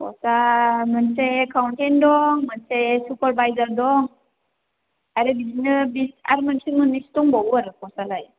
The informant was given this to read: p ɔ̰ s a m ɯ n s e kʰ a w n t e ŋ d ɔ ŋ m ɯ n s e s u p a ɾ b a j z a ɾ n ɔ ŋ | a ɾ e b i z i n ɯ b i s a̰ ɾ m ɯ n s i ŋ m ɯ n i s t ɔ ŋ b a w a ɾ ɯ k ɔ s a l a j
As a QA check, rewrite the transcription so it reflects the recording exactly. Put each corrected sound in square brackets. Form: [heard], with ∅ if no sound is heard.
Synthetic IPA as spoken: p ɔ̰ s a m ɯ n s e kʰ a w n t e [n] d ɔ ŋ m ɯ n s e s u p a ɾ b a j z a ɾ [d] ɔ ŋ | a ɾ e b i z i n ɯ b i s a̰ ɾ m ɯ n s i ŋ m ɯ n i s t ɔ ŋ b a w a ɾ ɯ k ɔ s a l a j